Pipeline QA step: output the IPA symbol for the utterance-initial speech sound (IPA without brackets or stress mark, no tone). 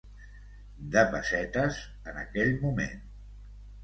d̪